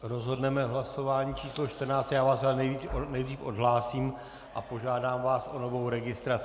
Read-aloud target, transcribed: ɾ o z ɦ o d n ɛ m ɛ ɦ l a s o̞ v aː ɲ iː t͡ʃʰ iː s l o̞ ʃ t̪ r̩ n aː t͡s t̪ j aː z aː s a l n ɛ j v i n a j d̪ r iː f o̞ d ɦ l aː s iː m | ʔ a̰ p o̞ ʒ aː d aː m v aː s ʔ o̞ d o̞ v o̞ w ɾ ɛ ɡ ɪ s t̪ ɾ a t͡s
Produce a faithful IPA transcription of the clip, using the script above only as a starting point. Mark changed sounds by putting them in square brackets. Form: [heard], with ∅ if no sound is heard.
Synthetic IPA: ɾ o z ɦ o d n ɛ m ɛ ɦ l a s o̞ v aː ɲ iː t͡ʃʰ iː s l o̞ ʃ t̪ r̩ n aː t͡s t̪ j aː [v] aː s a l n ɛ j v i n [ɛ] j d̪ r iː f o̞ d ɦ l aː s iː m | ʔ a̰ p o̞ ʒ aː d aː m v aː s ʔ o̞ [n] o̞ v o̞ w ɾ ɛ ɡ ɪ s t̪ ɾ a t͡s

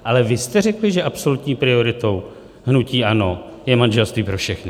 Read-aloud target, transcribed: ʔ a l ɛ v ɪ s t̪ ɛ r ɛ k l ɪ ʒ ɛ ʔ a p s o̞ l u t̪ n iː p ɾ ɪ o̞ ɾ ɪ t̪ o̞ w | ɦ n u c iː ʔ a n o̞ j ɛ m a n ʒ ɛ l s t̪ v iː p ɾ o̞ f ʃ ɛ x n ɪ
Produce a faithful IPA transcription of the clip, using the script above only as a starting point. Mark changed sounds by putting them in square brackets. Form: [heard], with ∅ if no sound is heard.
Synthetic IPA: ʔ a l ɛ v ɪ s t̪ ɛ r ɛ k l ɪ ʒ ɛ ʔ a p s o̞ l u t̪ [ɲ] iː p ɾ ɪ o̞ ɾ ɪ t̪ o̞ w | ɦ n u c iː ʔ a n o̞ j ɛ m a n ʒ ɛ l s t̪ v iː p ɾ o̞ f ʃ ɛ x n ɪ

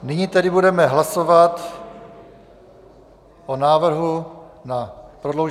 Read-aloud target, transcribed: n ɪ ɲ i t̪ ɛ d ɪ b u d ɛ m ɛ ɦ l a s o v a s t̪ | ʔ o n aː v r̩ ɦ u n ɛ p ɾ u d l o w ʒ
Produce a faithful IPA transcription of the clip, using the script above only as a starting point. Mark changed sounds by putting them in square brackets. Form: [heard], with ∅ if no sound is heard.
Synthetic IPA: n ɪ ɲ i t̪ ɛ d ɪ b u d ɛ m ɛ ɦ l a s o v a [∅] t̪ | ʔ o n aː v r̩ ɦ u n [a] p ɾ [o] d l o w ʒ

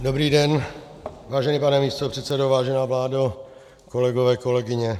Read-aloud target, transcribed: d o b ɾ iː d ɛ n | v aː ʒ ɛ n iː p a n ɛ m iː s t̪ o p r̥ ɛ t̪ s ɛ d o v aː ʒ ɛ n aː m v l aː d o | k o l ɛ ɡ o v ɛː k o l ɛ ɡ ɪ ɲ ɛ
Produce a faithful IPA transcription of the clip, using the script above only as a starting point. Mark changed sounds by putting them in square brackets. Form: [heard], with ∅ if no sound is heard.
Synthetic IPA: d o b ɾ iː d ɛ n | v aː ʒ ɛ n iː p a n ɛ m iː s t̪ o p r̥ ɛ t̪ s ɛ d o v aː ʒ ɛ n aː [∅] v l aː d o | k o l ɛ ɡ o v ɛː k o l ɛ ɡ ɪ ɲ ɛ

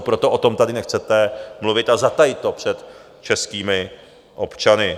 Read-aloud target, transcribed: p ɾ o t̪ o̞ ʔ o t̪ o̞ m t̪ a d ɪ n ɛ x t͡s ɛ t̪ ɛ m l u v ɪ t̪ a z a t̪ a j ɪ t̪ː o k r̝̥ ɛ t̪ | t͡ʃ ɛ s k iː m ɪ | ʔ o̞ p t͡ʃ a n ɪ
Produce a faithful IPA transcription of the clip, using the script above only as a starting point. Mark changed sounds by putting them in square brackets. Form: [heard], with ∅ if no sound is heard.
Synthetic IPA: p ɾ o t̪ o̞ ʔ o t̪ o̞ m t̪ a d ɪ n ɛ x t͡s ɛ t̪ ɛ m l u v ɪ t̪ a z a t̪ a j ɪ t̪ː o [p] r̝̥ ɛ t̪ | t͡ʃ ɛ s k iː m ɪ | ʔ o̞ p t͡ʃ a n ɪ

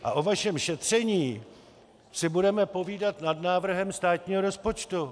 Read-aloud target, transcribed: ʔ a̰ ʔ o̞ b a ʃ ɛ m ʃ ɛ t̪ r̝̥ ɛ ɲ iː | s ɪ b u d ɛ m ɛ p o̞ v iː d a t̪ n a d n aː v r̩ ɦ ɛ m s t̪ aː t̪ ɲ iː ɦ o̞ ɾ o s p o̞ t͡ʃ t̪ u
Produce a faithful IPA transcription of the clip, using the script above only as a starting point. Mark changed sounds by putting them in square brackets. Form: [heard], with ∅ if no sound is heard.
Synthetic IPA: ʔ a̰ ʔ o̞ [v] a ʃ ɛ m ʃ ɛ t̪ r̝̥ ɛ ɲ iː | s ɪ b u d ɛ m ɛ p o̞ v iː d a t̪ n a d n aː v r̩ ɦ ɛ m s t̪ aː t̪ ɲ iː ɦ o̞ ɾ o s p o̞ t͡ʃ t̪ u

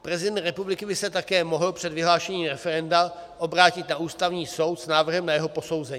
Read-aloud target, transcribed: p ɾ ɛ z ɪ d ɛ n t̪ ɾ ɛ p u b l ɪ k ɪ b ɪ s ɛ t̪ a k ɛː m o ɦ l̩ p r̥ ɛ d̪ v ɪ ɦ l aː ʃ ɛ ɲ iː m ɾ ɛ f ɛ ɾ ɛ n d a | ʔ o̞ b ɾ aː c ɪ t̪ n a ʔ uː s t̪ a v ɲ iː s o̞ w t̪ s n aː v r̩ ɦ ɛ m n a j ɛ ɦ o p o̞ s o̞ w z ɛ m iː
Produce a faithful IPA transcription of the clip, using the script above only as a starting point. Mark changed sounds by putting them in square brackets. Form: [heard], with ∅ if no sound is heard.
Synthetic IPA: p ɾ ɛ z ɪ d ɛ n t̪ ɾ ɛ p u b l ɪ k ɪ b ɪ s ɛ t̪ a k ɛː m o ɦ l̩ p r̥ ɛ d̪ v ɪ ɦ l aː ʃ ɛ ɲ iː m ɾ ɛ f ɛ ɾ ɛ n d a | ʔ o̞ b ɾ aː c ɪ t̪ n a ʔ uː s t̪ a v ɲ iː s o̞ w t̪ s n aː v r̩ ɦ ɛ m n a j ɛ ɦ o p o̞ s o̞ w z ɛ [ɲ] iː

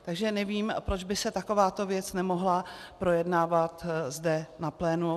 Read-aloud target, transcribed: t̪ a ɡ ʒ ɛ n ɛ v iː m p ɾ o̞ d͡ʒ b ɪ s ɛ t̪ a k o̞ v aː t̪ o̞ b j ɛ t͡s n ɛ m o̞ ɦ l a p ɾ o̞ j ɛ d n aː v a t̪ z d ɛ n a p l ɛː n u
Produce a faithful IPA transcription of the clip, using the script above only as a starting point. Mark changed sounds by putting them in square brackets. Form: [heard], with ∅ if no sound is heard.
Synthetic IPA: t̪ a ɡ ʒ ɛ n ɛ v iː m p ɾ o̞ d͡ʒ b ɪ s ɛ t̪ a k o̞ v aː t̪ o̞ [v] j ɛ t͡s n ɛ m o̞ ɦ l a p ɾ o̞ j ɛ d n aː v a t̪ z d ɛ n a p l ɛː n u

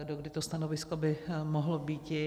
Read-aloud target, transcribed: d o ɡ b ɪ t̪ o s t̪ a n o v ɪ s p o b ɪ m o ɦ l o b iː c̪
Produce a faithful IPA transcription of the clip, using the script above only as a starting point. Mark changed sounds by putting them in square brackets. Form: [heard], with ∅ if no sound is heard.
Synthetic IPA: d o ɡ [d] ɪ t̪ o s t̪ a n o v ɪ s [k] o b ɪ m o ɦ l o b iː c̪

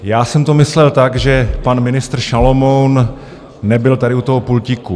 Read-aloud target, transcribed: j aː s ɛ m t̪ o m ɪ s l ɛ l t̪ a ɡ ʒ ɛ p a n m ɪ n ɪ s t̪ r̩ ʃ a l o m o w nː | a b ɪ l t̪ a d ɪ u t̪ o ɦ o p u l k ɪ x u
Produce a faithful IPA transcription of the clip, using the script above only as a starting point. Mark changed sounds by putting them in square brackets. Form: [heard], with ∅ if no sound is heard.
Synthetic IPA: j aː s ɛ m t̪ o m ɪ s l ɛ l t̪ a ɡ ʒ ɛ p a n m ɪ n ɪ s t̪ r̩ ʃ a l o m o w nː | [ɛ] b ɪ l t̪ a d ɪ u t̪ o ɦ o p u l [c] ɪ [k] u

